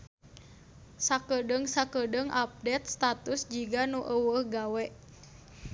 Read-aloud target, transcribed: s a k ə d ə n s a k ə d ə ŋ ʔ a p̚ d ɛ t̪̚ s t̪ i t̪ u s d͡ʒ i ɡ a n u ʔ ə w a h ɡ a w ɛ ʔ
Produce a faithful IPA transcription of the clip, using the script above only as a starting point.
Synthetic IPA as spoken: s a k ə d ə ŋ s a k ə d ə ŋ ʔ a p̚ d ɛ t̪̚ s t̪ a t̪ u s d͡ʒ i ɡ a n u ʔ ə w ə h ɡ a w ɛ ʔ